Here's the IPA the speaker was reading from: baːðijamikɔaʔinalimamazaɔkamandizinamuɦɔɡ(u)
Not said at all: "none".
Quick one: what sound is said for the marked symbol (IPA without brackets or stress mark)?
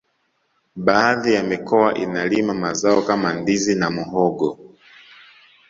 ɔ